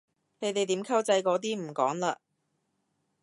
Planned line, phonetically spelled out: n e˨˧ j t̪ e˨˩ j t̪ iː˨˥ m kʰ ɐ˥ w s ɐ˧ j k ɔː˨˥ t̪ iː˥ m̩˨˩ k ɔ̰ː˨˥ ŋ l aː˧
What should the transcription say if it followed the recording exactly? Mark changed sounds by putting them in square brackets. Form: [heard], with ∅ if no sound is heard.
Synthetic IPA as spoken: n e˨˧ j t̪ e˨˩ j t̪ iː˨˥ m kʰ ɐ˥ w [t͡s] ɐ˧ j k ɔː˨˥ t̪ iː˥ m̩˨˩ k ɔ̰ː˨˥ ŋ l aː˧